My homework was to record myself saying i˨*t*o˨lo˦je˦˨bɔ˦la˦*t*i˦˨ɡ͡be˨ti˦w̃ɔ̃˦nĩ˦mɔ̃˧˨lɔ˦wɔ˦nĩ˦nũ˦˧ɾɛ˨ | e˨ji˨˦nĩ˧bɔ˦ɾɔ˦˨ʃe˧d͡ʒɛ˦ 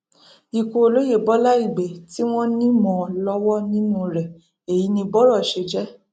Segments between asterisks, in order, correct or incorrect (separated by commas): incorrect, incorrect